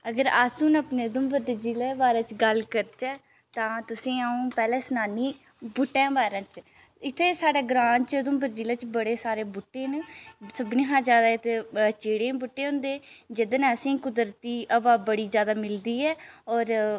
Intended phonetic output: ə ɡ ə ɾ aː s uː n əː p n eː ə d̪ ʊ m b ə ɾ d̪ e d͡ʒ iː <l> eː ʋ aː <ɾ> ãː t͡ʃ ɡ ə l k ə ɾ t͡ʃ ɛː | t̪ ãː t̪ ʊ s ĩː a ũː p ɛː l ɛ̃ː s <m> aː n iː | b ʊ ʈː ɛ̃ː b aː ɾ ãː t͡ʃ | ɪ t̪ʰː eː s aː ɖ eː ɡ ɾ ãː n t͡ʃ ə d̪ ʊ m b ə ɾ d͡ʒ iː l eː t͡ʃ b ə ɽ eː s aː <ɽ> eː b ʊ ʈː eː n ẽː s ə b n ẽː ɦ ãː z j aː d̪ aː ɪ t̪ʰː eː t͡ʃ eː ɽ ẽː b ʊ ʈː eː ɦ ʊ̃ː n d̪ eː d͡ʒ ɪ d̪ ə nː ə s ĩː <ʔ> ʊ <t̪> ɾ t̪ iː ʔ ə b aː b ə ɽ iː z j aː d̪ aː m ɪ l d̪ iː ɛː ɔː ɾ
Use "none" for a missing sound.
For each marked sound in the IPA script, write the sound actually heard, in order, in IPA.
l, ɾ, n, ɾ, k, d̪

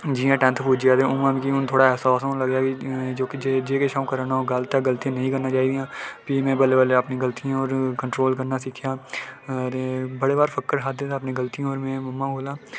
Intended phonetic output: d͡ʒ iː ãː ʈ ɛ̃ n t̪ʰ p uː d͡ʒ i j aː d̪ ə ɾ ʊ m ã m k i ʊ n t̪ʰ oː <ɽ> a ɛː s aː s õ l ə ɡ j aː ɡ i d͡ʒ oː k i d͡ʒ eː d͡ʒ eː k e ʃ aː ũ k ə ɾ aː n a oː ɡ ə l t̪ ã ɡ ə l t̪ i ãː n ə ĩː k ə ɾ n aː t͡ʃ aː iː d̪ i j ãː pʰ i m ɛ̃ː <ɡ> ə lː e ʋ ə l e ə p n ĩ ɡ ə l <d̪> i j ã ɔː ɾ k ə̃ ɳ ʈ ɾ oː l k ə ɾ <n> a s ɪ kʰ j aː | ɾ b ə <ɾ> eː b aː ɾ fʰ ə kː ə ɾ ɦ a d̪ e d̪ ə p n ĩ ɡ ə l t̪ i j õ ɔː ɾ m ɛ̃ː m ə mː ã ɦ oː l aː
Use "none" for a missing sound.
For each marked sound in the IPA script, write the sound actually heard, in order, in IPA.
ɽ, b, t̪, n, ɽ

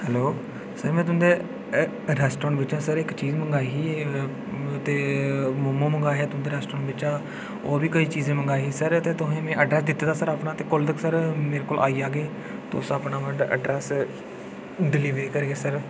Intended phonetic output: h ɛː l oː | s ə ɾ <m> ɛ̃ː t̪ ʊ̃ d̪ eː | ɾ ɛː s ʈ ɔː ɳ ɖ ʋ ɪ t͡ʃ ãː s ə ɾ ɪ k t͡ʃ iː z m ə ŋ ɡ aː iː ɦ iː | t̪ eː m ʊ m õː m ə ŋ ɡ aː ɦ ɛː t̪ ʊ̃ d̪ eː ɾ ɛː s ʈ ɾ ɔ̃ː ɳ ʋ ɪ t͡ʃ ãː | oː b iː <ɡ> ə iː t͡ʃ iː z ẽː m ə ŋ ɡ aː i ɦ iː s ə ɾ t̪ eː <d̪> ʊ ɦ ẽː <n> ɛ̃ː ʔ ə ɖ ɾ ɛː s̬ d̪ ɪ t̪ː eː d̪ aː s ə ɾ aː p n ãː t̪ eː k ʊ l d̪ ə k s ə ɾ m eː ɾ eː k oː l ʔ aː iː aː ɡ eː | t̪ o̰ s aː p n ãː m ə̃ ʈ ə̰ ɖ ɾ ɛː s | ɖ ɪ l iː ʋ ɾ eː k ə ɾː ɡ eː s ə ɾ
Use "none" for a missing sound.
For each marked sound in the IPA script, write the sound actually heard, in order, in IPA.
m, k, t̪, m

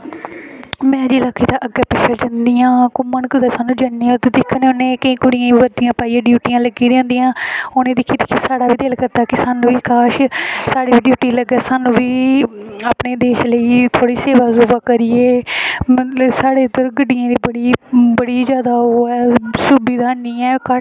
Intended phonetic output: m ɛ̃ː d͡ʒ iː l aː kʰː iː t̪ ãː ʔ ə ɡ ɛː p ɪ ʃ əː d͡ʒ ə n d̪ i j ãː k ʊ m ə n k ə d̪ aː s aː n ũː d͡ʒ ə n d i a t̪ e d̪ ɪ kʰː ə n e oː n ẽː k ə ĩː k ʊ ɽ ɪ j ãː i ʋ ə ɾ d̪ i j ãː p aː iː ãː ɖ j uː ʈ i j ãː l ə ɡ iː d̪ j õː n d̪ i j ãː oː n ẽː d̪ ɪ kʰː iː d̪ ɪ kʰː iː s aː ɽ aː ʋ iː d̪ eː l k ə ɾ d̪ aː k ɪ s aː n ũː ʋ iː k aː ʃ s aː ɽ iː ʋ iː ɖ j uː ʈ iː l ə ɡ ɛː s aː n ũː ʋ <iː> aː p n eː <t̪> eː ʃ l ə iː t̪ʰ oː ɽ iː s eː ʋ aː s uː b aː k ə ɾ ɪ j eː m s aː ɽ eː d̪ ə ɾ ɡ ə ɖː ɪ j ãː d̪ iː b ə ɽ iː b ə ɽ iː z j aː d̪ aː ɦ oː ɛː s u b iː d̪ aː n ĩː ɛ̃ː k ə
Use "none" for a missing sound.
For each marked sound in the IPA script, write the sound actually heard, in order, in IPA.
iː, d̪

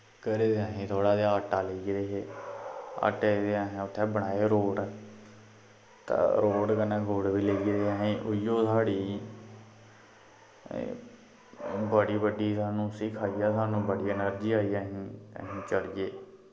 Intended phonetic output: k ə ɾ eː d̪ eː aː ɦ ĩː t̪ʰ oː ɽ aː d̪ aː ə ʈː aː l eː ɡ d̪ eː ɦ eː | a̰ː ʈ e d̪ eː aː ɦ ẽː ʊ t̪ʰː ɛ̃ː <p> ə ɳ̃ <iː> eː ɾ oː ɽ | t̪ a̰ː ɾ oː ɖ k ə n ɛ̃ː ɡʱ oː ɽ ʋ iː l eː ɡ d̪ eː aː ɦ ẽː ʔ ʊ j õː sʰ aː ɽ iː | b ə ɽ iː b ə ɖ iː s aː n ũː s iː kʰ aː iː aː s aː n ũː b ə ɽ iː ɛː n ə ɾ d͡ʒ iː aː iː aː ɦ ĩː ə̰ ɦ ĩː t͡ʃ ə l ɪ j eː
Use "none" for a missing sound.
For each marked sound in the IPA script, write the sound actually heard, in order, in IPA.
b, aː

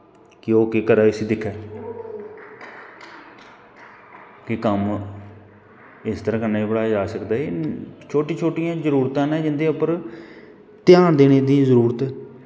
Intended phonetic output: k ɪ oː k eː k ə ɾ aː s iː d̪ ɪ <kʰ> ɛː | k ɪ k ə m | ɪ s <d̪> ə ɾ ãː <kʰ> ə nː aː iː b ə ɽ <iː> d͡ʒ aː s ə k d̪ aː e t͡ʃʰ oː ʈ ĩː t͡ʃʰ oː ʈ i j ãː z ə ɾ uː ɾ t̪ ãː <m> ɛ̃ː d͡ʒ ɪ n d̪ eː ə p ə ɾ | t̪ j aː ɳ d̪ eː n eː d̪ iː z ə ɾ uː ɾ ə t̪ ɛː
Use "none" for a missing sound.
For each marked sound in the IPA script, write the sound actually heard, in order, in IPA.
kʰ, t̪, k, aː, n

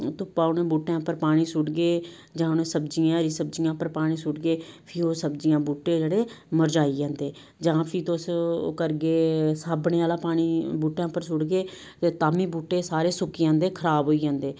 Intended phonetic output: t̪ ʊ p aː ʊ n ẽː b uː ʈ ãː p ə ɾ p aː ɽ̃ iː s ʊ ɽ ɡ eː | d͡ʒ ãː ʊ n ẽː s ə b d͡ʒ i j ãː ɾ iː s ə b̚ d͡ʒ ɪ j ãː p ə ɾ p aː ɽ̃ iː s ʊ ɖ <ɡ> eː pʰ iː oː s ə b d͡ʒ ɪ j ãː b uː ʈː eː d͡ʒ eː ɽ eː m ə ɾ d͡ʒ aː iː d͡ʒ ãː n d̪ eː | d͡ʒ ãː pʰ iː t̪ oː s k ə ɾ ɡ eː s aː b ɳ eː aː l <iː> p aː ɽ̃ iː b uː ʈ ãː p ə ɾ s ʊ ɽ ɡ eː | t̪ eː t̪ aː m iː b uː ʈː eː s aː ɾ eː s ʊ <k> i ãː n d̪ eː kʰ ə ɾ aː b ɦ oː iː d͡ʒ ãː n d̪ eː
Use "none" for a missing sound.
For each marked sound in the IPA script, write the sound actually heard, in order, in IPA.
ɡ, aː, k

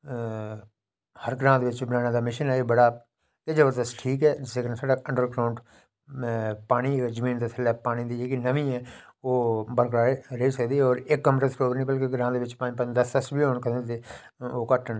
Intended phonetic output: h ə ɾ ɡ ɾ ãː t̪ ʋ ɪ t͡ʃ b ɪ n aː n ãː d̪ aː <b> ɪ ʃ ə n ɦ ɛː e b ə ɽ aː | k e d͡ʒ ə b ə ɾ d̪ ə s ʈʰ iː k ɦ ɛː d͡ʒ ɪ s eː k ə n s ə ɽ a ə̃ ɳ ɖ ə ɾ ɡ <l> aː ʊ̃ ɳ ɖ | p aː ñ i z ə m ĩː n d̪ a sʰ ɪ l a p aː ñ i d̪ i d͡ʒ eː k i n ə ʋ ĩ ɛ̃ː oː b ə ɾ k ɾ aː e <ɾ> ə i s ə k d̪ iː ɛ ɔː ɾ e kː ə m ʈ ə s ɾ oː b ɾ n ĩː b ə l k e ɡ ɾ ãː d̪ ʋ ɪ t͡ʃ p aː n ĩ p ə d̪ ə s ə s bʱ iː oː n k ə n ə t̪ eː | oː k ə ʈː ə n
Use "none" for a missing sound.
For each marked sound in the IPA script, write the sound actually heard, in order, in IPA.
m, ɾ, ɾ

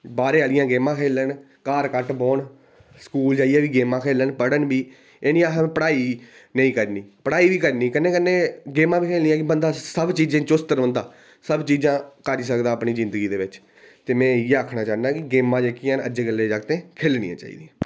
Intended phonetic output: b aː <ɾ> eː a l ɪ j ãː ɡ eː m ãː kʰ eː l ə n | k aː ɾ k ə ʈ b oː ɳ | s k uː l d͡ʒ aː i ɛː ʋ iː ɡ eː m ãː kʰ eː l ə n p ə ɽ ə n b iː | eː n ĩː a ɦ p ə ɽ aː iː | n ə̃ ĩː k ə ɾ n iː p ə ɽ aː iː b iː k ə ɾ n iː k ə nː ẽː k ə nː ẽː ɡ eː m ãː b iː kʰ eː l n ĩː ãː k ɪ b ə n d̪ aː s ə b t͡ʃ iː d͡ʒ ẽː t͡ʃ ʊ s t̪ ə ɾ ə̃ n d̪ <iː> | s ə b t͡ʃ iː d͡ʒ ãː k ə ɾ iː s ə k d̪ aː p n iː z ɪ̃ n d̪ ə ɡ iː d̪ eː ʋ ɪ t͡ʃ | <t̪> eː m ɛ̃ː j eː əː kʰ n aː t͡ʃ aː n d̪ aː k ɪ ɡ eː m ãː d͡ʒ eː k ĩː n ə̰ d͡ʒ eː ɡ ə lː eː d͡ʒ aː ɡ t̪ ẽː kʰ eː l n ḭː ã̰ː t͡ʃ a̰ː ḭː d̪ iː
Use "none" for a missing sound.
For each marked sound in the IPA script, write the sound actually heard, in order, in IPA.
ɾ, aː, t̪

